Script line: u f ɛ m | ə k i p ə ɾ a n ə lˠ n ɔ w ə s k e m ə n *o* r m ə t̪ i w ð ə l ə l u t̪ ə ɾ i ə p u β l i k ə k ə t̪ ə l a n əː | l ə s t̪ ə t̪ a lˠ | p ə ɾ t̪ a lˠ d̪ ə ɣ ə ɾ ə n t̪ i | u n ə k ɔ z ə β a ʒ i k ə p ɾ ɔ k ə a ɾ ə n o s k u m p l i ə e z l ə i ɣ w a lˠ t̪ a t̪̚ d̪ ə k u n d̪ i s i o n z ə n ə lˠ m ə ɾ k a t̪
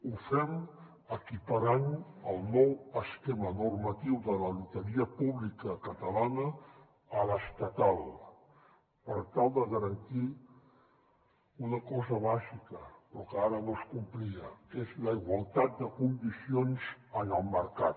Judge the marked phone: incorrect: u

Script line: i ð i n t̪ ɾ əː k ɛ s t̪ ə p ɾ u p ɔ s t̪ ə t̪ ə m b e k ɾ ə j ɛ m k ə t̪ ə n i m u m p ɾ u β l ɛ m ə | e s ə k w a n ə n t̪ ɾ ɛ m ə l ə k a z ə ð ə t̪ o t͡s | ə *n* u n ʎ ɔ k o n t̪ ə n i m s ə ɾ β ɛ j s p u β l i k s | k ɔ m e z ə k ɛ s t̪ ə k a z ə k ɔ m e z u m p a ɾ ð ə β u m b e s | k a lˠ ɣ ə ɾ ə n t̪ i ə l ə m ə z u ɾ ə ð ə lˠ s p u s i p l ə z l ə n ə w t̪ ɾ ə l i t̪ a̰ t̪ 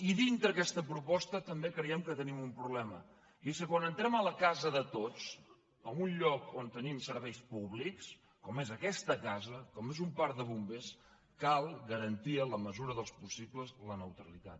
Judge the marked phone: incorrect: m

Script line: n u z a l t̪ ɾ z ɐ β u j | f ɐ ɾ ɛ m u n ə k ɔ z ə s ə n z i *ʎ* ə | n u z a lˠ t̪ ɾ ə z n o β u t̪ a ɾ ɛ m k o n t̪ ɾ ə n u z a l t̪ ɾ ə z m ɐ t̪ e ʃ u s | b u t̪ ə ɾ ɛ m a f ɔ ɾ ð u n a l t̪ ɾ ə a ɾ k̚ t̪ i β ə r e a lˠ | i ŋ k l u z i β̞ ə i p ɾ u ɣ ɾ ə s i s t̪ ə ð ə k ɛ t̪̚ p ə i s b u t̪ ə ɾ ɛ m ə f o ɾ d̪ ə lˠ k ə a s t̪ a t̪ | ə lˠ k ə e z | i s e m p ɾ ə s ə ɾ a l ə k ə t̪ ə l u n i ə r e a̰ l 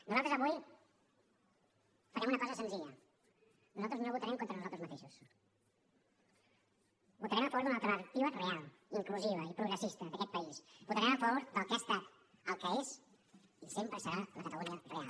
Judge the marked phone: correct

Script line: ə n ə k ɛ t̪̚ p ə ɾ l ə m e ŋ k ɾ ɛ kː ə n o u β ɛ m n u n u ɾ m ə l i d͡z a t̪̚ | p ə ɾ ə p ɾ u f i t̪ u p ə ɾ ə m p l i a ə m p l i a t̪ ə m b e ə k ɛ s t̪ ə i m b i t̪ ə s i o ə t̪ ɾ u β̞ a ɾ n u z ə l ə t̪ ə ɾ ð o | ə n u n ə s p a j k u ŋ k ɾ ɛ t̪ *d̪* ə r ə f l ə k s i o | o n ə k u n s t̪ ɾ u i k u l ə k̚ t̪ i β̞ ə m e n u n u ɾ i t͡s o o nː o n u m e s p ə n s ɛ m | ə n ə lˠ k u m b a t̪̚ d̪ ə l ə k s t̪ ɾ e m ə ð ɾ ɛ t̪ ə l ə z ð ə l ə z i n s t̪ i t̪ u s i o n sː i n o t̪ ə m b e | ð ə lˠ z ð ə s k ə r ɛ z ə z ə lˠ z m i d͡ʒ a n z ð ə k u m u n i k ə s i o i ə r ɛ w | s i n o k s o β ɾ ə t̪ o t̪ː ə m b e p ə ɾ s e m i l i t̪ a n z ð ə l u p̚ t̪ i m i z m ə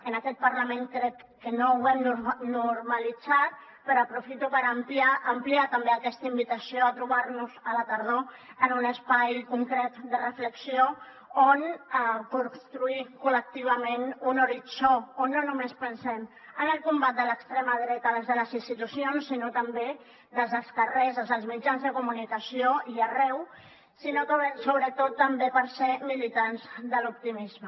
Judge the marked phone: correct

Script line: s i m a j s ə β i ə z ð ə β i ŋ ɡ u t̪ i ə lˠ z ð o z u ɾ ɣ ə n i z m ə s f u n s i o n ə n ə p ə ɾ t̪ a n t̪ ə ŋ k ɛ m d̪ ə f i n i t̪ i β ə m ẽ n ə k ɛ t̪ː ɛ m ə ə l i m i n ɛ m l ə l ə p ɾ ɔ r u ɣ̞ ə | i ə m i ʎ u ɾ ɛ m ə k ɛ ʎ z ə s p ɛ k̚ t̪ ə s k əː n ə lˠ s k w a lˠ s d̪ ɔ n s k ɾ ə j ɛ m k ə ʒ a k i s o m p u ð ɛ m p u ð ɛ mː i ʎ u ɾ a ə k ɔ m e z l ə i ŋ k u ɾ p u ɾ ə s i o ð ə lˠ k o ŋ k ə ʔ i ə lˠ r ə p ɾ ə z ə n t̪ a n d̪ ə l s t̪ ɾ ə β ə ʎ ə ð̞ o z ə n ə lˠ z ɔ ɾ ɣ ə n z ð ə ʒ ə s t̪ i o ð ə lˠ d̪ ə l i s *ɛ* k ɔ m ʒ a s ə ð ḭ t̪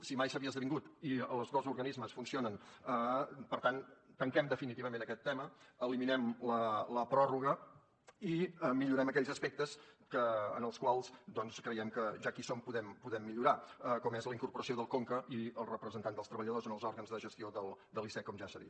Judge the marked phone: correct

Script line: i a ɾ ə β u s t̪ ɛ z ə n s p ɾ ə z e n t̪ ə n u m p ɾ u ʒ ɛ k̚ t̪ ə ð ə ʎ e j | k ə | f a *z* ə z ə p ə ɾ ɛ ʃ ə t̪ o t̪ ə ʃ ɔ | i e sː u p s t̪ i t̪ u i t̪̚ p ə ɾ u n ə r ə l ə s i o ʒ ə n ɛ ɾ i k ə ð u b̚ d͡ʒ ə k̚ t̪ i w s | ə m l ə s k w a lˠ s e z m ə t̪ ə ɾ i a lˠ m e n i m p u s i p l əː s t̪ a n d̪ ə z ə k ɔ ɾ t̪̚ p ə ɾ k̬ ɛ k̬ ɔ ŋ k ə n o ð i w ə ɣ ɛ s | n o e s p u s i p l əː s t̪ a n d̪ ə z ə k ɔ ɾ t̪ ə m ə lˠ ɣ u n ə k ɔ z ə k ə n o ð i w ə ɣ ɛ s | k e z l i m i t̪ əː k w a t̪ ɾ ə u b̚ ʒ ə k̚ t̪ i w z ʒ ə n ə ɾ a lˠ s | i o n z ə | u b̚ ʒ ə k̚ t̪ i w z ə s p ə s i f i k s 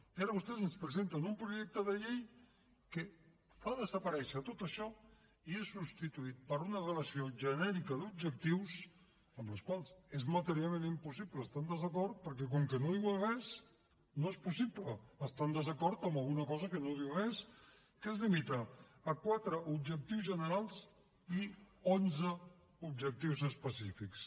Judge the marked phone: incorrect: ð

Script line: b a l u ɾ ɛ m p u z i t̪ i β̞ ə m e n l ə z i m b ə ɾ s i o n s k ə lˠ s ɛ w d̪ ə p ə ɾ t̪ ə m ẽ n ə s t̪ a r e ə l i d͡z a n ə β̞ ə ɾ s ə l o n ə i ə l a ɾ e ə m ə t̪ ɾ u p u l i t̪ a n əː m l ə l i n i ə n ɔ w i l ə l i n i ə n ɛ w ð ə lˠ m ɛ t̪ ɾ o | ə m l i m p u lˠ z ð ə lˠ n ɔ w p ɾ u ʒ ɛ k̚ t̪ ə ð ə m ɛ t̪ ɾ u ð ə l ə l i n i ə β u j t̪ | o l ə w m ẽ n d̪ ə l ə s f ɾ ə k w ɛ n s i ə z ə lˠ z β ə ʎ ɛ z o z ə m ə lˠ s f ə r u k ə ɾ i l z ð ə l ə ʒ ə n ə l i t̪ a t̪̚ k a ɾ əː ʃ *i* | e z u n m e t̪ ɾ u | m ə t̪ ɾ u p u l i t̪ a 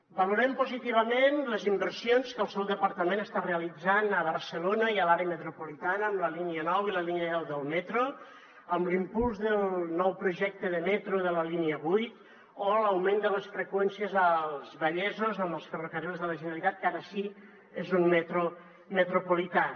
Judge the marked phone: correct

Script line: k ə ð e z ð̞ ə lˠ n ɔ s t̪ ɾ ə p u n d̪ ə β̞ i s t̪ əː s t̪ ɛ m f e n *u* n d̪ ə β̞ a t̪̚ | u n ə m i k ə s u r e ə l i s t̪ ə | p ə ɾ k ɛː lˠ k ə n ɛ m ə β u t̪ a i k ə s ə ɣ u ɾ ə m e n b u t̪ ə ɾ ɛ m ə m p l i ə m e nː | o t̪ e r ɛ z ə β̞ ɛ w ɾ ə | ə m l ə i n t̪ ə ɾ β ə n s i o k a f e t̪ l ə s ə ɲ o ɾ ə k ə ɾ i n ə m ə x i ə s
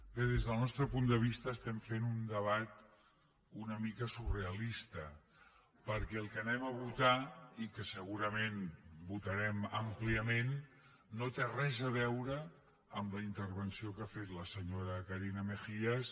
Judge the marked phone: correct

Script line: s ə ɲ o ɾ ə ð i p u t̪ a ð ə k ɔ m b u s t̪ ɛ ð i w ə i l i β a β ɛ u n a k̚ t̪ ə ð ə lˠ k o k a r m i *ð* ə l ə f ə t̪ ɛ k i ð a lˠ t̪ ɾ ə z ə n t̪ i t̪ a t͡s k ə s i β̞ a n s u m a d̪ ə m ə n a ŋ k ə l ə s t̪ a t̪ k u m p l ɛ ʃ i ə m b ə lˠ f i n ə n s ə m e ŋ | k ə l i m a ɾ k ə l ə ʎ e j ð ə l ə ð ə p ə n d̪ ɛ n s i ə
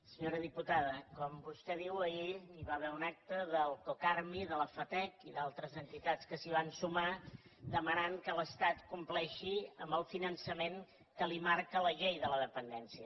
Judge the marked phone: correct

